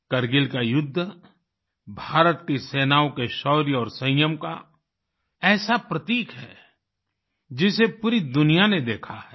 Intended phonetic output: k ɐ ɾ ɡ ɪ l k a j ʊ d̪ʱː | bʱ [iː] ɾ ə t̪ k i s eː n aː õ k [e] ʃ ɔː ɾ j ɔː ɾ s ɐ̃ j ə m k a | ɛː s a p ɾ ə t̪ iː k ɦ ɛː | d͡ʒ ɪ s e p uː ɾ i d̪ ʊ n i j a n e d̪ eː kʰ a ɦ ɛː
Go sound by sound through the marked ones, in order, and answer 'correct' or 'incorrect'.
incorrect: aː, correct

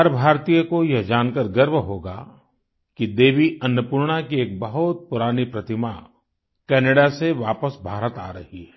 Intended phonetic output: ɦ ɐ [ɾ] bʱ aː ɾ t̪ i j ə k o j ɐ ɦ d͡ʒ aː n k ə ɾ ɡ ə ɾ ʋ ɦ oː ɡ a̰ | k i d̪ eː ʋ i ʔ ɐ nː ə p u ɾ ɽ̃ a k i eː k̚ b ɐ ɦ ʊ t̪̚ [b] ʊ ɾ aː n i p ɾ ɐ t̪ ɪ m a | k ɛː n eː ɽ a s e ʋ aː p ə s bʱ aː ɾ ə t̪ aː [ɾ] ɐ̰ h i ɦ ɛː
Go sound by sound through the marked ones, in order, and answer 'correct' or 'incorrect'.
correct, incorrect: p, correct

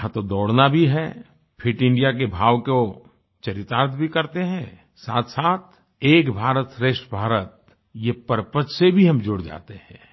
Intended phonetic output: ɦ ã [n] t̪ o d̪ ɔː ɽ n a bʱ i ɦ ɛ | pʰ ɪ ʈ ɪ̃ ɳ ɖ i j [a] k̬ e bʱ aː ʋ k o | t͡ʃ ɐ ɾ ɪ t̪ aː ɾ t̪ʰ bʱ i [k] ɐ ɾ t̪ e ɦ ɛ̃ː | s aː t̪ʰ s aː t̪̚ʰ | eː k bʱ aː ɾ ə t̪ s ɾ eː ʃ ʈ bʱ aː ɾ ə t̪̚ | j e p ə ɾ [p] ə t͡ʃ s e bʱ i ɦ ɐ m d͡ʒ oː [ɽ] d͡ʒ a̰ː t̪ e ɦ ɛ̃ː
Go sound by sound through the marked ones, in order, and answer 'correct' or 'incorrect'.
incorrect: none, correct, correct, correct, correct

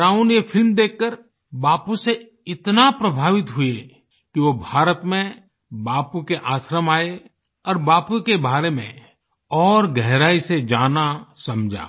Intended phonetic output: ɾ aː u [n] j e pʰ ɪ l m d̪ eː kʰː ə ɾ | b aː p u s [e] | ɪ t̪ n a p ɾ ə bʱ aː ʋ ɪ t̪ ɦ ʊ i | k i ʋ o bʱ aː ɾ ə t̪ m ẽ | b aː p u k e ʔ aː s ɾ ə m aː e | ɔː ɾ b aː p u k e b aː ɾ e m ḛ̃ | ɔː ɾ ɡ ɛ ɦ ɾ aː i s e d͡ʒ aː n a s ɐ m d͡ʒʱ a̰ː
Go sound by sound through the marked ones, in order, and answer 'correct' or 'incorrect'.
correct, correct

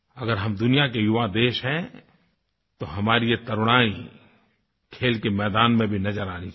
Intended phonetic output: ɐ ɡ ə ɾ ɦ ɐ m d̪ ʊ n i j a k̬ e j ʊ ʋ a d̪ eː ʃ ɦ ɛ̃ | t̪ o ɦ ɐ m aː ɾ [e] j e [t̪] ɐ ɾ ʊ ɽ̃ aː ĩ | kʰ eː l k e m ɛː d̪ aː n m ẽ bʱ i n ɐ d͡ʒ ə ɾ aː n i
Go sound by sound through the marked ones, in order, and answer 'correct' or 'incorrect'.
incorrect: i, correct

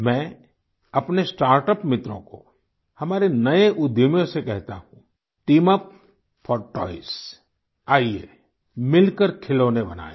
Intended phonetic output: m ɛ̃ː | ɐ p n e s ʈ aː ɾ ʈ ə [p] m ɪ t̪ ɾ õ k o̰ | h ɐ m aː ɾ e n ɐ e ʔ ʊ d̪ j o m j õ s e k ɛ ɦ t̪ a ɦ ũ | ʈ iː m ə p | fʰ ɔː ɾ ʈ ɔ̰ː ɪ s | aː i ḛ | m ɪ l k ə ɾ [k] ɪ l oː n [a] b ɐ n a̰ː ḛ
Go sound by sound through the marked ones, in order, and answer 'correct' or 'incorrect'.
correct, incorrect: kʰ, incorrect: e

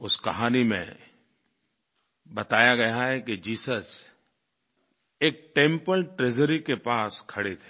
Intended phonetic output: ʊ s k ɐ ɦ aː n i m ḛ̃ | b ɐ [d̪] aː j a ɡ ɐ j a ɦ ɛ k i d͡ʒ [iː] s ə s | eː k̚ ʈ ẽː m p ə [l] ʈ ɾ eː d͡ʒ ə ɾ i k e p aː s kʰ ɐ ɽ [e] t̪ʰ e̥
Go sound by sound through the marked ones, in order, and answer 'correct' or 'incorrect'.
incorrect: t̪, correct, correct, correct

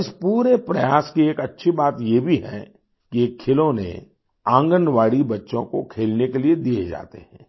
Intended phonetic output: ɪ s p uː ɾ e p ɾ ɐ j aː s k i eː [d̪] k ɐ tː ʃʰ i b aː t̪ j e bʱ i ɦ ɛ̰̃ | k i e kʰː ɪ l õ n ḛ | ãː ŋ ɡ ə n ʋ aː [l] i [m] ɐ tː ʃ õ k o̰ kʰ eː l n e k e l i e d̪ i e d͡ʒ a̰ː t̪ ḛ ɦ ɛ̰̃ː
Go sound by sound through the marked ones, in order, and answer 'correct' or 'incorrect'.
incorrect: none, incorrect: ɽ, incorrect: b

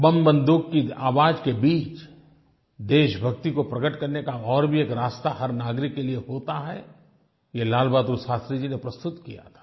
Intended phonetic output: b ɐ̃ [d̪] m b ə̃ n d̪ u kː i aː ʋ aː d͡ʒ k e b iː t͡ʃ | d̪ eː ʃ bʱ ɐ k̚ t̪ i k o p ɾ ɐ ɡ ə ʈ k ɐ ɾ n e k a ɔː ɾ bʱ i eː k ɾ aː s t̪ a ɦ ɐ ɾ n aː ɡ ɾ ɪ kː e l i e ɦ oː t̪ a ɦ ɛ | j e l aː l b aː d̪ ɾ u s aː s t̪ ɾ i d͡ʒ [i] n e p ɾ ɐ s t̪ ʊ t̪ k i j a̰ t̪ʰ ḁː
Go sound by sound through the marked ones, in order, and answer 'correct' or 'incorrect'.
incorrect: none, correct

